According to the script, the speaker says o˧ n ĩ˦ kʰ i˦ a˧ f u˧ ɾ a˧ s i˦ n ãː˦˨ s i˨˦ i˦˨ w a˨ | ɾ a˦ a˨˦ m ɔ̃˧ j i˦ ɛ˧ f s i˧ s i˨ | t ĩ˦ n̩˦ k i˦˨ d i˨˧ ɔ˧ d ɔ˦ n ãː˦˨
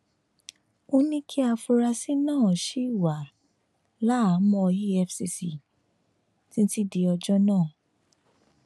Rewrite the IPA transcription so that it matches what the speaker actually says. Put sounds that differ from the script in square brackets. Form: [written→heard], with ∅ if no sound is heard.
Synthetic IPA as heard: o˧ n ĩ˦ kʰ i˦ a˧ f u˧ ɾ a˧ s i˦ n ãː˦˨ [s→ʃ] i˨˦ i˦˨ w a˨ | [ɾ→l] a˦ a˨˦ m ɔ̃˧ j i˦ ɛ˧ f s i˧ s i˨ | t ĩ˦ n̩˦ [k→t] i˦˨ d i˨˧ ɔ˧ [d→d͡ʒ] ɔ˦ n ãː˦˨